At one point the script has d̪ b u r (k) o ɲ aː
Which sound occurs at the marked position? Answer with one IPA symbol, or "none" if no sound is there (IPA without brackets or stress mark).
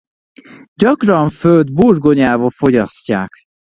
ɡ